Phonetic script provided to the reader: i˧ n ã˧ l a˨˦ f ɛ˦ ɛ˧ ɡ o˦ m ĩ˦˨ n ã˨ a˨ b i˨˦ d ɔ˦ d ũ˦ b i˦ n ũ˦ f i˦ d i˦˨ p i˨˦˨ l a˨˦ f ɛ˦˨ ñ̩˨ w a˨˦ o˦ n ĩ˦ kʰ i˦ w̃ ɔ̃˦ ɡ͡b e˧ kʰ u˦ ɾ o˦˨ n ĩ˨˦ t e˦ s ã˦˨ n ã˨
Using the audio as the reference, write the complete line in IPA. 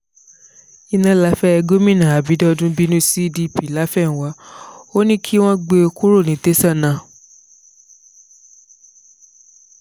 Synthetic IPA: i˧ n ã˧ l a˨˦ f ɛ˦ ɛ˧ ɡ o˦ m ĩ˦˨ n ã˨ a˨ b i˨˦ d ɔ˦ d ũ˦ b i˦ n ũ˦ s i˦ d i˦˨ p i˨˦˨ l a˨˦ f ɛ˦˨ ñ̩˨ w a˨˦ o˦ n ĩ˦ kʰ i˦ w̃ ɔ̃˦ ɡ͡b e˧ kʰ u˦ ɾ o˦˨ n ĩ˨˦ t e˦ s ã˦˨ n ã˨